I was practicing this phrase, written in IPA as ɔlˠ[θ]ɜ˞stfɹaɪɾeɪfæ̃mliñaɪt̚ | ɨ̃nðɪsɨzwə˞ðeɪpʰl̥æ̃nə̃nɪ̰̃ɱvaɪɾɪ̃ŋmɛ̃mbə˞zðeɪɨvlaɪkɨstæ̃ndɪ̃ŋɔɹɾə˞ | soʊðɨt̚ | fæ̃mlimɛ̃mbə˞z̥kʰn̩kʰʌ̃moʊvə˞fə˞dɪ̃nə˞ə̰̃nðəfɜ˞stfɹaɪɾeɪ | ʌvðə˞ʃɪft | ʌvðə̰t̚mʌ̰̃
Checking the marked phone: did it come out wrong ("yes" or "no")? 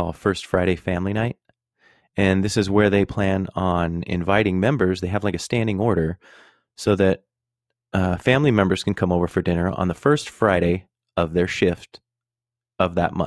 yes